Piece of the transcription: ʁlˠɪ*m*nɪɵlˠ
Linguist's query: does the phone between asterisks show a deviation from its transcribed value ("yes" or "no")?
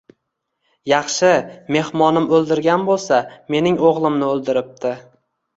no